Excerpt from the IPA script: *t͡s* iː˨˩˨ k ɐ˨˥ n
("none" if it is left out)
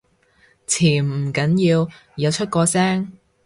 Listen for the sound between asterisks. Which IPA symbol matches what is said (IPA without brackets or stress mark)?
t͡sʰ